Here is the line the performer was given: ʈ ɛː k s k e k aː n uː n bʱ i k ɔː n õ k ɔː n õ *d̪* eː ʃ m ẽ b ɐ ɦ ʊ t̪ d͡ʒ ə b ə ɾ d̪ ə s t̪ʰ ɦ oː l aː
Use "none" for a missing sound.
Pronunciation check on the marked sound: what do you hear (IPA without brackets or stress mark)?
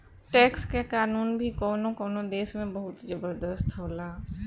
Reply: d̪